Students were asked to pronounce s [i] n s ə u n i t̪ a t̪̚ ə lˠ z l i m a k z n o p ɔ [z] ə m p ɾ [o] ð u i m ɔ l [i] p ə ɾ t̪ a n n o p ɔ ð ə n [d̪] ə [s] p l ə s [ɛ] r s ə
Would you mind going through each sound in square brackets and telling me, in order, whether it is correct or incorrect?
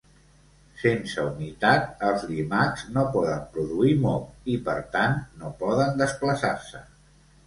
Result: incorrect, incorrect, incorrect, correct, correct, correct, incorrect

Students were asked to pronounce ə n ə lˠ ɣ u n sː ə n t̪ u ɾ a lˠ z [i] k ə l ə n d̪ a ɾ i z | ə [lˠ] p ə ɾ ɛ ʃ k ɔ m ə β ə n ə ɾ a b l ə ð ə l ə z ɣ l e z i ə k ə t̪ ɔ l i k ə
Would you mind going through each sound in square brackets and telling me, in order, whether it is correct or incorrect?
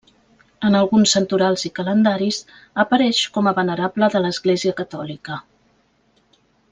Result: correct, incorrect

